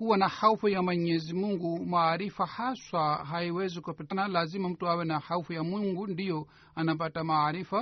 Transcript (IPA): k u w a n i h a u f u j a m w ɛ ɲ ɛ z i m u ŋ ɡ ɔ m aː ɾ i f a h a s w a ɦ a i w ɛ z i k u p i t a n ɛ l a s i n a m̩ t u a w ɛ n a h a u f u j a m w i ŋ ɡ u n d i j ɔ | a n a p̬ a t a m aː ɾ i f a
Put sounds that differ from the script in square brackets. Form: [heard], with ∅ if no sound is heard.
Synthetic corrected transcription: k u w a n [a] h a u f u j a m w ɛ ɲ ɛ z i m u ŋ ɡ [u] m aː ɾ i f a h a s w a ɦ a i w ɛ z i k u p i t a n [a] l a [z] i [m] a m̩ t u a w ɛ n a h a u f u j a m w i ŋ ɡ u n d i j ɔ | a n a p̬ a t a m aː ɾ i f a